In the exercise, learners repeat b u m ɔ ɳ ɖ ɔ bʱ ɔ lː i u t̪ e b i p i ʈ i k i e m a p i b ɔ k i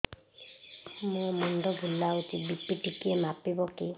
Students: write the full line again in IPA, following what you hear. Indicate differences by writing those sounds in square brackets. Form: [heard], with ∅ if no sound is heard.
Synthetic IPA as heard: [m] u m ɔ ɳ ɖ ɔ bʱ [u] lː [a] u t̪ [i] b i p i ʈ i k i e m a p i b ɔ k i